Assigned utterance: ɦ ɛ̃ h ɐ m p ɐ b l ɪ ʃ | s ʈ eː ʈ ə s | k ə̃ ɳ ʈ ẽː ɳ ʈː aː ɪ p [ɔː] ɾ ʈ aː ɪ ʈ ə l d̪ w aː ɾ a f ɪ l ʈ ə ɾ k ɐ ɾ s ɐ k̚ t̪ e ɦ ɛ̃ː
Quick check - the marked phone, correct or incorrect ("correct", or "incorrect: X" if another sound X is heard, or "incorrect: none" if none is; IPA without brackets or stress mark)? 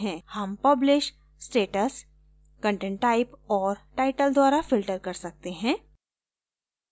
correct